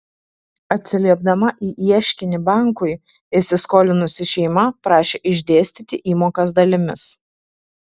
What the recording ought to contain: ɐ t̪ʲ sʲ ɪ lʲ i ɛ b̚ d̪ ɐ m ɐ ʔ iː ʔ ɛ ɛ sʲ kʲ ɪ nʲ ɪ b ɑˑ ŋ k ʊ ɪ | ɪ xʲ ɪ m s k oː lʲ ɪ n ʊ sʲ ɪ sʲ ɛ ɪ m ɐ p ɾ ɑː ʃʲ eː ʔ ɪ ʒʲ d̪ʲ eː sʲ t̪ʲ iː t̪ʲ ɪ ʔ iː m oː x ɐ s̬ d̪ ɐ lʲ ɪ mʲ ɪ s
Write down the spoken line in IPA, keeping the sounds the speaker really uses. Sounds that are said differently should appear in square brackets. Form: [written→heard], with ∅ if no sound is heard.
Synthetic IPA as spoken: ɐ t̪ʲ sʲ ɪ lʲ i ɛ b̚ d̪ ɐ m ɐ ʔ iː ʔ [ɛ→i] ɛ [sʲ→ʃʲ] kʲ ɪ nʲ ɪ b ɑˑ ŋ k ʊ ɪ | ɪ [xʲ→sʲ] ɪ [m→∅] s k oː lʲ ɪ n ʊ sʲ ɪ [sʲ→ʃʲ] ɛ ɪ m ɐ p ɾ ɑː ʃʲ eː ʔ ɪ ʒʲ d̪ʲ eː sʲ t̪ʲ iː t̪ʲ ɪ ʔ iː m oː [x→k] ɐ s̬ d̪ ɐ lʲ ɪ mʲ ɪ s

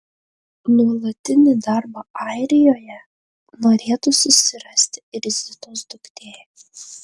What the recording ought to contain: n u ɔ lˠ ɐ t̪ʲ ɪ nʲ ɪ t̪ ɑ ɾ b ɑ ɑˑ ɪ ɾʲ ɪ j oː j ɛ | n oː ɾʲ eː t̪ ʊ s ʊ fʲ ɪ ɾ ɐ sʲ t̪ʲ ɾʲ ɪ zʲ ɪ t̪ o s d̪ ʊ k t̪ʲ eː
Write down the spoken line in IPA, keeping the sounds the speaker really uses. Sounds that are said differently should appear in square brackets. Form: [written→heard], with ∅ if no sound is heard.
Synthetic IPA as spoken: n u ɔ lˠ ɐ t̪ʲ ɪ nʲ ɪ [t̪→d̪] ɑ ɾ b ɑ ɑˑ ɪ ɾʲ ɪ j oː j ɛ | n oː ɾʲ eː t̪ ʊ s ʊ [fʲ→sʲ] ɪ ɾ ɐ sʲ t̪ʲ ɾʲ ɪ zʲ ɪ t̪ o s d̪ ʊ k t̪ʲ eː

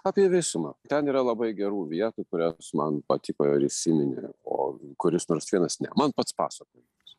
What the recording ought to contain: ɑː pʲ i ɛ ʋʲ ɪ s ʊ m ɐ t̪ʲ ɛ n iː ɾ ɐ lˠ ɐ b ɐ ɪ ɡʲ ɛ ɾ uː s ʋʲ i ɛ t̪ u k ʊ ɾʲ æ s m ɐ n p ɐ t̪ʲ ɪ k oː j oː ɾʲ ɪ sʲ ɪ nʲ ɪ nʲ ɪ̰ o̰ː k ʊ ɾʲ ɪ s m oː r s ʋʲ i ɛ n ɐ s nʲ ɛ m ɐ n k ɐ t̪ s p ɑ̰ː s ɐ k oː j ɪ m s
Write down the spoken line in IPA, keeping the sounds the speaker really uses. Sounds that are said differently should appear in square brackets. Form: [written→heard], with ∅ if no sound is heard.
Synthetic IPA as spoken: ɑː pʲ i ɛ ʋʲ ɪ s ʊ m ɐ t̪ʲ ɛ n iː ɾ ɐ lˠ ɐ b ɐ ɪ ɡʲ ɛ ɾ uː [s→∅] ʋʲ i ɛ t̪ u k ʊ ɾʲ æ s m ɐ n p ɐ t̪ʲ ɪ k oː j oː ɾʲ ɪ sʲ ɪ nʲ ɪ nʲ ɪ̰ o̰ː k ʊ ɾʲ ɪ s [m→n] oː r s ʋʲ i ɛ n ɐ s nʲ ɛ m ɐ n [k→p] ɐ t̪ s p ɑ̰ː s ɐ k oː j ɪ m s

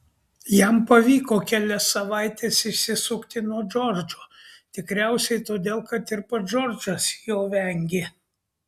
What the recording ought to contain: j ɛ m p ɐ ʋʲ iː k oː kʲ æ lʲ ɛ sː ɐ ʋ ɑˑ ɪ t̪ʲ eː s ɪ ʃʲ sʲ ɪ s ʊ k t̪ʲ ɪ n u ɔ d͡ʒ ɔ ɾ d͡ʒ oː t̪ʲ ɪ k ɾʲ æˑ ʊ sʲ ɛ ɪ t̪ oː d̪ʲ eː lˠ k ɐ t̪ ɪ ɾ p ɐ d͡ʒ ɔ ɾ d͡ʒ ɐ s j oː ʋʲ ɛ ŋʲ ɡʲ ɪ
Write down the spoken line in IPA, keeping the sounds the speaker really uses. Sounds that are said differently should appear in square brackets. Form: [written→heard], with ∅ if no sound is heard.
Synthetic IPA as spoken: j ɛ m p ɐ ʋʲ iː k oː kʲ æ lʲ ɛ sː ɐ ʋ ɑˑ ɪ t̪ʲ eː s ɪ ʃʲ sʲ ɪ s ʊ k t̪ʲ ɪ n u ɔ d͡ʒ ɔ ɾ d͡ʒ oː t̪ʲ ɪ k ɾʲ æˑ ʊ sʲ ɛ ɪ t̪ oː d̪ʲ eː lˠ k ɐ t̪ ɪ ɾ p ɐ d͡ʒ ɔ ɾ d͡ʒ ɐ s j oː ʋʲ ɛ ŋʲ ɡʲ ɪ

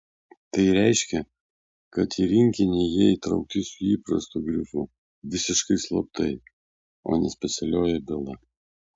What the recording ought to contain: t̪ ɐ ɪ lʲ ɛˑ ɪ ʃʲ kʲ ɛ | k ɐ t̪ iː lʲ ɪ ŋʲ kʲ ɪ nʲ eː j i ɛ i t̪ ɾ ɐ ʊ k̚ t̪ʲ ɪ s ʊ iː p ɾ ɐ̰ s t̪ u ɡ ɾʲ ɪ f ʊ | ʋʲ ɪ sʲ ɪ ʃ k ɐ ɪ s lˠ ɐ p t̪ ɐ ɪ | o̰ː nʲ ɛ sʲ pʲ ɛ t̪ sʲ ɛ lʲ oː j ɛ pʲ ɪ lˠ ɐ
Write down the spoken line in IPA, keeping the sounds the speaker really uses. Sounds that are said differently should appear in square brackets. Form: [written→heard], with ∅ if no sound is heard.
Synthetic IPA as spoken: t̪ ɐ ɪ [lʲ→ɾʲ] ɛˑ ɪ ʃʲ kʲ ɛ | k ɐ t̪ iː [lʲ→ɾʲ] ɪ ŋʲ kʲ ɪ nʲ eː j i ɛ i t̪ ɾ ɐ ʊ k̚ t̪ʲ ɪ s ʊ iː p ɾ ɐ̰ s t̪ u ɡ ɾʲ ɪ f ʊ | ʋʲ ɪ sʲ ɪ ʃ k ɐ ɪ s lˠ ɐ p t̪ ɐ ɪ | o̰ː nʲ ɛ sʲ pʲ ɛ t̪ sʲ ɛ lʲ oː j ɛ [pʲ→bʲ] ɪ lˠ ɐ

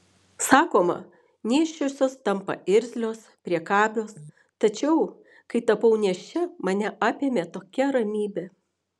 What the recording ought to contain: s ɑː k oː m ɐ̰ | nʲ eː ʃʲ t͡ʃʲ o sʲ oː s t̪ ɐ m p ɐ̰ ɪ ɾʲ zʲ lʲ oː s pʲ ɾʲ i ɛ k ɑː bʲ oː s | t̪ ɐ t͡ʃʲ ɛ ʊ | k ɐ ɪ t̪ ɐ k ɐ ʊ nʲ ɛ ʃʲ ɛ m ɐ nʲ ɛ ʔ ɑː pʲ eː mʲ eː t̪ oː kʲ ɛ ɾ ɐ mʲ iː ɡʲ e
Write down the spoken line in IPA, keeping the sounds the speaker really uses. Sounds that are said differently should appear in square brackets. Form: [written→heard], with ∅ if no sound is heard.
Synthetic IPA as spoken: s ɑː k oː m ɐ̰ | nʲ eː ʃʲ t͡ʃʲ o sʲ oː s t̪ ɐ m p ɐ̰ ɪ ɾʲ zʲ lʲ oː s pʲ ɾʲ i ɛ k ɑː bʲ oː s | t̪ ɐ t͡ʃʲ ɛ ʊ | k ɐ ɪ t̪ ɐ [k→p] ɐ ʊ nʲ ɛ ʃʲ ɛ m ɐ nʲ ɛ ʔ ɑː pʲ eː mʲ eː t̪ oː kʲ ɛ ɾ ɐ mʲ iː [ɡʲ→bʲ] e

